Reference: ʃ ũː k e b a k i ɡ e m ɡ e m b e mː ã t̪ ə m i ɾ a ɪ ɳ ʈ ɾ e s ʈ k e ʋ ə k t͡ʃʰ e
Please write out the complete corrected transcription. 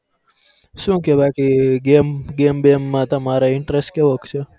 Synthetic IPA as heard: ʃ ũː k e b a k i ɡ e m ɡ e m b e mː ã t̪ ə m a ɾ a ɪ ɳ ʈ ɾ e s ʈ k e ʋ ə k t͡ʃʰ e